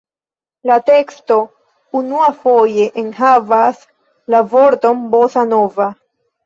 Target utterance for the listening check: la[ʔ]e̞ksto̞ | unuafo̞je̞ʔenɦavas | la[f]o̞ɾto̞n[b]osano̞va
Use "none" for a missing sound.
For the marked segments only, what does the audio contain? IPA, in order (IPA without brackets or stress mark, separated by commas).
t, v, b